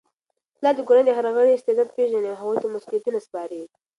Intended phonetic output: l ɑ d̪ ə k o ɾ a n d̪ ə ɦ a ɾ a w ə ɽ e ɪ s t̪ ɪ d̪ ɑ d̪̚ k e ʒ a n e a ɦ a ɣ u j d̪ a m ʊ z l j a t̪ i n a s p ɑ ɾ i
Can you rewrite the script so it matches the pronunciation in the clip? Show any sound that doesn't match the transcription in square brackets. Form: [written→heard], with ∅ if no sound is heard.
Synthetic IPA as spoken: l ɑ d̪ ə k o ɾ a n d̪ ə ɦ a ɾ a [w→ɣ] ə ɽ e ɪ s t̪ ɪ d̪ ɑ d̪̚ [k→p] e ʒ a n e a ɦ a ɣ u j [d̪→t̪] a m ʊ [z→s] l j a t̪ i n a s p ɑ ɾ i